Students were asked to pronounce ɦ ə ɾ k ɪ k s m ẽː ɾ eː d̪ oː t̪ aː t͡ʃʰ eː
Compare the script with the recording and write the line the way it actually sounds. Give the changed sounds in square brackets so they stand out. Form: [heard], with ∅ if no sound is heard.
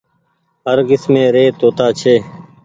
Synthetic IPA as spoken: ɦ ə ɾ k ɪ [∅] s m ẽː ɾ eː [t̪] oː t̪ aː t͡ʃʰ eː